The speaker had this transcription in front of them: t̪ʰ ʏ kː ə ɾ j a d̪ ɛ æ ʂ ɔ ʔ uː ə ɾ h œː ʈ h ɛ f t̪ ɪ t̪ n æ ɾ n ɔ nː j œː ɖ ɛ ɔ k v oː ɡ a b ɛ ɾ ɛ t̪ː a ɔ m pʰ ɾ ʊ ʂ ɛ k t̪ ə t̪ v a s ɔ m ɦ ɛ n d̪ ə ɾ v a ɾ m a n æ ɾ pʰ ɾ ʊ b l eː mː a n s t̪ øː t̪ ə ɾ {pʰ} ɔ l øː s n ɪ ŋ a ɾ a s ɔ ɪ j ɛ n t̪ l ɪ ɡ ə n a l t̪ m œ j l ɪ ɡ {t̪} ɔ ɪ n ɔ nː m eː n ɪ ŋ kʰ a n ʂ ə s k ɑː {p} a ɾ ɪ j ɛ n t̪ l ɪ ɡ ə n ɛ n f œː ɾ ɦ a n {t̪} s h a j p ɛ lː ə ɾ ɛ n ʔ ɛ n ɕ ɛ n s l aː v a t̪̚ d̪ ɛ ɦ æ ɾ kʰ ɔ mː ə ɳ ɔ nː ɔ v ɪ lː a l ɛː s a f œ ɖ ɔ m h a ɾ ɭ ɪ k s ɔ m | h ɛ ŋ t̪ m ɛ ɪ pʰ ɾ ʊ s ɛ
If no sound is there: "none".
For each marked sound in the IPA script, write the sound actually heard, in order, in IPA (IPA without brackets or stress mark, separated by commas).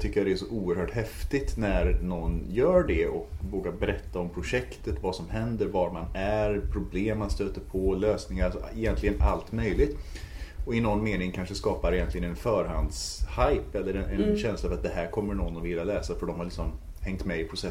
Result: pʰ, t̪, p, d̪